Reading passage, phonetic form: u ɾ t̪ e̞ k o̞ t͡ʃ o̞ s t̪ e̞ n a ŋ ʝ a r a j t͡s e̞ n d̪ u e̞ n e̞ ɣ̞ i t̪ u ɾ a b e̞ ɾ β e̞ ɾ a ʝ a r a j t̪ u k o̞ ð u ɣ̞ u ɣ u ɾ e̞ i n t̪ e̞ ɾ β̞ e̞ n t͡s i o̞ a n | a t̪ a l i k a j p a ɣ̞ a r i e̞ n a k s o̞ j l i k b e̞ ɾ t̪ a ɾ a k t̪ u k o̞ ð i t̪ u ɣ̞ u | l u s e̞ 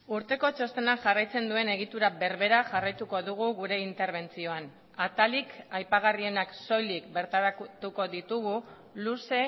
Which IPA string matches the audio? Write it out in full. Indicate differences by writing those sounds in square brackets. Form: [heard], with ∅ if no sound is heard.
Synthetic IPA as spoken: u ɾ t̪ e̞ k o̞ t͡ʃ o̞ s t̪ e̞ n a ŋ ʝ a r a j t͡s e̞ n d̪ u e̞ n e̞ ɣ̞ i t̪ u ɾ a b e̞ ɾ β e̞ ɾ a ʝ a r a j t̪ u k o̞ ð u ɣ̞ u ɣ u ɾ e̞ i n t̪ e̞ ɾ β̞ e̞ n t͡s i o̞ a n | a t̪ a l i k a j p a ɣ̞ a r i e̞ n a k s o̞ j l i k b e̞ ɾ t̪ a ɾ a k t̪ u k o̞ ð i t̪ u ɣ̞ u | l u s e̞